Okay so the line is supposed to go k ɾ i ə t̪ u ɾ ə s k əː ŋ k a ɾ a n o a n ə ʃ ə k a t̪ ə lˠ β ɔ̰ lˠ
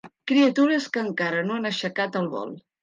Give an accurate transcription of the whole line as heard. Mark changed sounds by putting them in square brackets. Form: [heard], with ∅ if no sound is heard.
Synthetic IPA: k ɾ i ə t̪ u ɾ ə s k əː ŋ k a ɾ [ə] n o a n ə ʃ ə k a t̪ ə lˠ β ɔ̰ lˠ